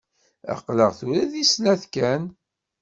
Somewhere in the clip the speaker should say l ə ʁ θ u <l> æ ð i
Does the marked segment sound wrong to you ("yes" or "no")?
yes